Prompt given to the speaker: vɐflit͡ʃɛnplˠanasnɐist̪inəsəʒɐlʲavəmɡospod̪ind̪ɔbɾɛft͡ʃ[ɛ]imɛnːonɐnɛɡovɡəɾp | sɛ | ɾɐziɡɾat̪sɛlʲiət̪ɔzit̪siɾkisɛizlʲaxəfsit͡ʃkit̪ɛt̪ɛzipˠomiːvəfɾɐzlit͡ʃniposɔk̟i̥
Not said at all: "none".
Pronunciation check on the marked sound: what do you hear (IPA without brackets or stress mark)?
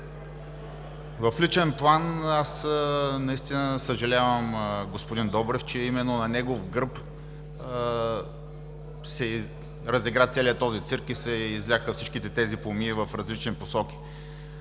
ɛ